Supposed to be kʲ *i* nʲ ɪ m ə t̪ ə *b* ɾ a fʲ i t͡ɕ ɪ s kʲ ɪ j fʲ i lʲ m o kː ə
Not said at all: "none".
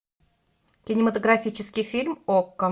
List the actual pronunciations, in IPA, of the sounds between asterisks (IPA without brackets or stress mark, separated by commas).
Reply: ɪ, ɡ